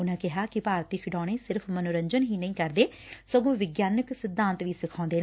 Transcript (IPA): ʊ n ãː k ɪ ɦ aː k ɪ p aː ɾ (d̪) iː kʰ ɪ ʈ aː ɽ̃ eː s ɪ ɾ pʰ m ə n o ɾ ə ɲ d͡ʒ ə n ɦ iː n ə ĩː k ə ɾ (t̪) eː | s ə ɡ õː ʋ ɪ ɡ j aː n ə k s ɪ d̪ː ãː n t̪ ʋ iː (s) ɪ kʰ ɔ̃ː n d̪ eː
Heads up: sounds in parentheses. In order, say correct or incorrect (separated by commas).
incorrect, incorrect, correct